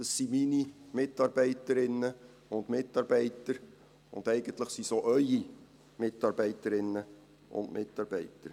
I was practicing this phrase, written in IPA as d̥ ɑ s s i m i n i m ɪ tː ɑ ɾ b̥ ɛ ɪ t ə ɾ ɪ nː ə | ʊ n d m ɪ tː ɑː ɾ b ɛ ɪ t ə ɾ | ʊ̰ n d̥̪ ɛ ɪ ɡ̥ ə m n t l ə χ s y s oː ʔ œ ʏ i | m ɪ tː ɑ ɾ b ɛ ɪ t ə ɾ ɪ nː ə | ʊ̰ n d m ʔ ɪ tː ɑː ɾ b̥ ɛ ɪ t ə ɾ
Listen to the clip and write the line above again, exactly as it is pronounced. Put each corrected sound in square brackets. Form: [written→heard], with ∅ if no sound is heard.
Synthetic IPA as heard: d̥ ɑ s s i m i n i m ɪ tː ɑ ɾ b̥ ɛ ɪ t ə ɾ ɪ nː ə | ʊ n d m ɪ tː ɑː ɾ b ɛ ɪ t ə ɾ | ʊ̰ n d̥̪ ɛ ɪ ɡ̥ ə [m→∅] n t l ə χ s [y→i] s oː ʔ œ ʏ i | m ɪ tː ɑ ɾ b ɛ ɪ t ə ɾ ɪ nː ə | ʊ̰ n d m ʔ ɪ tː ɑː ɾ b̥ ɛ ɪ t ə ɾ